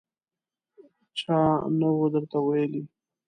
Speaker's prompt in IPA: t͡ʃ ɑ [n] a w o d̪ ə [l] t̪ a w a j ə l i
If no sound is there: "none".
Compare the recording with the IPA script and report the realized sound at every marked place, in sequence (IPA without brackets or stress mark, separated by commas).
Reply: n, ɾ